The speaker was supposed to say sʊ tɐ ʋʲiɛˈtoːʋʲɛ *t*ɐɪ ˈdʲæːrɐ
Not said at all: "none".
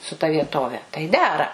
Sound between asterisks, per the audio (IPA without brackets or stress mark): t